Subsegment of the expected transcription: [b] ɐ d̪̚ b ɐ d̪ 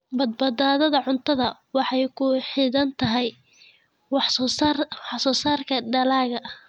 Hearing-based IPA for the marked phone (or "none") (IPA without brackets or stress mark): b